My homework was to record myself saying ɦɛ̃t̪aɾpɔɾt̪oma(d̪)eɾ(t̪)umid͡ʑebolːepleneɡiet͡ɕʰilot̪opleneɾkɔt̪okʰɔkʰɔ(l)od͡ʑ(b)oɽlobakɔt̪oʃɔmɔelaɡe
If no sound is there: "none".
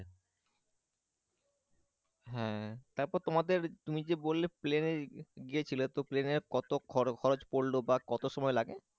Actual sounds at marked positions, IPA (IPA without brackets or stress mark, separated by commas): d̪, t̪, ɾ, p